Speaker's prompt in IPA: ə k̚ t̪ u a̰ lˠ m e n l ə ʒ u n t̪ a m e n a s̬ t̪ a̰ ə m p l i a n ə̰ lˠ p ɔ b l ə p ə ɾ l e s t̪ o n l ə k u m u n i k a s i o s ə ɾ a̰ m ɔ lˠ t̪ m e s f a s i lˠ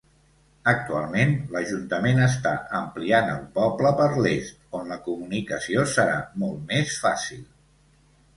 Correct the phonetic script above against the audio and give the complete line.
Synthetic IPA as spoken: ə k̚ t̪ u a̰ lˠ m e n l ə ʒ u n t̪ ə m e n ə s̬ t̪ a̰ ə m p l i a n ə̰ lˠ p ɔ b l ə p ə ɾ l e s t̪ o n l ə k u m u n i k ə s i o s ə ɾ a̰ m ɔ lˠ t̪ m e s f a s i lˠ

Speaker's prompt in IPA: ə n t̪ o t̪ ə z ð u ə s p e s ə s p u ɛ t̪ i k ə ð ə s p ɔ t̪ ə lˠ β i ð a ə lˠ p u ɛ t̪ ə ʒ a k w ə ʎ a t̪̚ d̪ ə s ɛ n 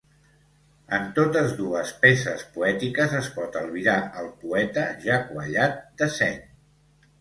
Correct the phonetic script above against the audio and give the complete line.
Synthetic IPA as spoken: ə n t̪ o t̪ ə z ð u ə s p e s ə s p u ɛ t̪ i k ə z ə s p ɔ t̪ ə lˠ β i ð a ə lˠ p u ɛ t̪ ə ʒ a k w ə ʎ a t̪̚ d̪ ə s ɛ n

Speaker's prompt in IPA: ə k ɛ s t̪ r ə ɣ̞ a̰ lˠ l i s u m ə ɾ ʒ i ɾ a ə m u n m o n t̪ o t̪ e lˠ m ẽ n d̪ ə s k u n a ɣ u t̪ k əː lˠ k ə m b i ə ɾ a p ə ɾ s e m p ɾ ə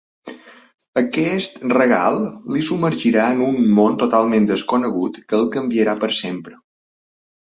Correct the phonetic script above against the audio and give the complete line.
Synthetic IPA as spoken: ə k ɛ s t̪ r ə ɣ̞ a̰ lˠ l i s u m ə ɾ ʒ i ɾ a ə n u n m o n t̪ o t̪ a lˠ m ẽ n d̪ ə s k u n ə ɣ u t̪ k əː lˠ k ə m b i ə ɾ a p ə ɾ s e m p ɾ ə

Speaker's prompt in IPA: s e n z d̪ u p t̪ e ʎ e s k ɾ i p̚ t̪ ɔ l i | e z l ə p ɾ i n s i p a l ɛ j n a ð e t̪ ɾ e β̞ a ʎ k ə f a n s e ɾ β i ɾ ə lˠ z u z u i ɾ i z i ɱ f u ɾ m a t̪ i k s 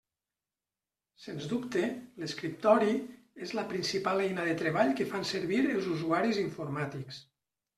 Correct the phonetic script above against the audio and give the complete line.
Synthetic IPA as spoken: s e n z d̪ u p t̪ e l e s k ɾ i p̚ t̪ ɔ ɾ i | e z l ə p ɾ i n s i p a l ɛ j n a ð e t̪ ɾ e β̞ a ʎ k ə f a n s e ɾ β i ɾ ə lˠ z u z u a ɾ i z i ɱ f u ɾ m a t̪ i k s

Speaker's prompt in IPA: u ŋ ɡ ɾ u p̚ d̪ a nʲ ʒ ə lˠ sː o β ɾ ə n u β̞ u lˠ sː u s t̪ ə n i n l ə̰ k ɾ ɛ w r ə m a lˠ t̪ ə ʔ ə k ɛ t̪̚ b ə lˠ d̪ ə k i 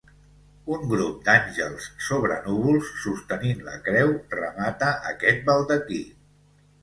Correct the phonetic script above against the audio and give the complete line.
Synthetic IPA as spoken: u ŋ ɡ ɾ u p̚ d̪ a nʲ ʒ ə lˠ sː o β ɾ ə n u β̞ u lˠ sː u s t̪ ə n i n l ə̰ k ɾ ɛ w r ə m a t̪ ə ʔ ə k ɛ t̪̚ b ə lˠ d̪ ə k i

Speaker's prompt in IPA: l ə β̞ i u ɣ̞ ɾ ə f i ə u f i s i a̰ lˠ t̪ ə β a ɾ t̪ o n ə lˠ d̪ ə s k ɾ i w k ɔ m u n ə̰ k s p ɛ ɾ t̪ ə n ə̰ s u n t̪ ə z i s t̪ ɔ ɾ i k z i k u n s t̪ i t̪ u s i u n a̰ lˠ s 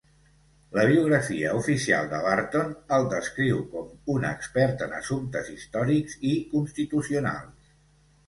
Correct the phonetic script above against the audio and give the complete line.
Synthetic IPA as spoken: l ə β̞ i u ɣ̞ ɾ ə f i ə u f i s i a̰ lˠ d̪ ə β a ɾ t̪ o n ə lˠ d̪ ə s k ɾ i w k ɔ m u n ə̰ k s p ɛ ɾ t̪ ə n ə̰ s u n t̪ ə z i s t̪ ɔ ɾ i k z i k u n s t̪ i t̪ u s i u n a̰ lˠ s

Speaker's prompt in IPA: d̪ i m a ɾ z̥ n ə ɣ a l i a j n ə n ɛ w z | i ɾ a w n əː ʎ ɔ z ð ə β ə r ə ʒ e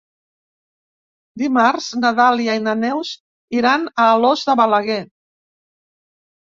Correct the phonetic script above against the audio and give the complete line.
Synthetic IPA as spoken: d̪ i m a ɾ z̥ n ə ð a l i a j n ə n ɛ w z | i ɾ a n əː l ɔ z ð ə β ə l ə ɣ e

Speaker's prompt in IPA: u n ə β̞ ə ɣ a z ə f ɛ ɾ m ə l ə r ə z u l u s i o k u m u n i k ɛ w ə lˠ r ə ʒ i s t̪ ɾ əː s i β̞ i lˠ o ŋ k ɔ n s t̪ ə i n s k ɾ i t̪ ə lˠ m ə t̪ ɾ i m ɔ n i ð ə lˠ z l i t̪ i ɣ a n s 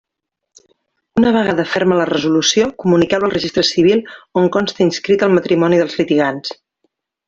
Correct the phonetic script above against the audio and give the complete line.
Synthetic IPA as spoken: u n ə β̞ ə ɣ a ð ə f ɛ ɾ m ə l ə r ə z u l u s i o k u m u n i k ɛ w ə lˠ r ə ʒ i s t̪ ɾ ə s i β̞ i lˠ o ŋ k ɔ n s t̪ ə i n s k ɾ i t̪ ə lˠ m ə t̪ ɾ i m ɔ n i ð ə lˠ z l i t̪ i ɣ a n s

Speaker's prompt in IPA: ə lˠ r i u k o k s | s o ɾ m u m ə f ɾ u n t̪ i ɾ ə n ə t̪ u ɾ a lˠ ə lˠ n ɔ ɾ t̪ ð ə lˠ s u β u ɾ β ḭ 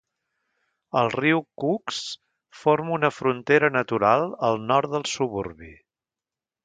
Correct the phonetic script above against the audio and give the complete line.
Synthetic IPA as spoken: ə lˠ r i w k u k s | f o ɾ m u n ə f ɾ u n t̪ e ɾ ə n ə t̪ u ɾ a lˠ ə lˠ n ɔ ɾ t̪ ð ə lˠ s u β u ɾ β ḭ

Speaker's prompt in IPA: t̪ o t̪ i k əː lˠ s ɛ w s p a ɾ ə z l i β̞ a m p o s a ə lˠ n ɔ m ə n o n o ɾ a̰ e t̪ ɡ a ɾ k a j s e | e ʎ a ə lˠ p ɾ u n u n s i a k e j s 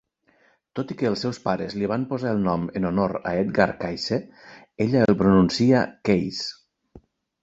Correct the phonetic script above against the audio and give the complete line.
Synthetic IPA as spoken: t̪ o t̪ i k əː lˠ s ɛ w s p a ɾ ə z l i β̞ a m p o z a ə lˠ n ɔ m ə n o n o ɾ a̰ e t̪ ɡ a ɾ k a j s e | e ʎ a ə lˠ p ɾ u n u n s i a k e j s

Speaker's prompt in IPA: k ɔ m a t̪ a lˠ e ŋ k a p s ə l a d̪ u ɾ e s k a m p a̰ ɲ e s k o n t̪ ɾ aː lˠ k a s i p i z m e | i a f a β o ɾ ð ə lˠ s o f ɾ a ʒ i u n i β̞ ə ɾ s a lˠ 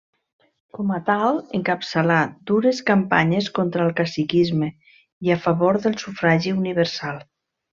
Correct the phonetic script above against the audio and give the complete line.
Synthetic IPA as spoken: k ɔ m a t̪ a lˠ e ŋ k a p s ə l a d̪ u ɾ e s k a m p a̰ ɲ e s k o n t̪ ɾ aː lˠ k a s i k i z m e | i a f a β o ɾ ð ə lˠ s u f ɾ a ʒ i u n i β̞ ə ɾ s a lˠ

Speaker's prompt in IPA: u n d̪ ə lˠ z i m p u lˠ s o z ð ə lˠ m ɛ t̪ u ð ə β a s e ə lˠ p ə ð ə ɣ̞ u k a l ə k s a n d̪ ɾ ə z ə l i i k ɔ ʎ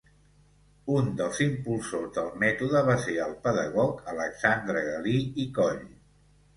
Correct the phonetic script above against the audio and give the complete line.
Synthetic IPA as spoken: u n d̪ ə lˠ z i m p u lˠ s o z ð ə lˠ m ɛ t̪ u ð ə β a s e ə lˠ p ə ð ə ɣ̞ ɔ k ə l ə k s a n d̪ ɾ ə ɣ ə l i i k ɔ ʎ

